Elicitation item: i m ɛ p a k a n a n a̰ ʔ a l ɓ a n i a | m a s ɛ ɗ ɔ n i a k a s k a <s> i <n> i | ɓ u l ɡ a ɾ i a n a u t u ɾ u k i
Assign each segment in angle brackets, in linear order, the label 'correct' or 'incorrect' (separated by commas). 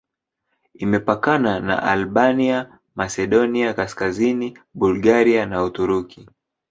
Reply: incorrect, correct